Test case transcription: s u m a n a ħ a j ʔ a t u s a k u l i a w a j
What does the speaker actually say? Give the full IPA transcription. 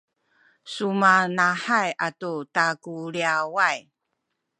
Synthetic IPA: s u m a n a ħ a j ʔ a t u t a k u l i a w a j